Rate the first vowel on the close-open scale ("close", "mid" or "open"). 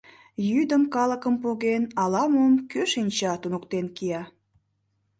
close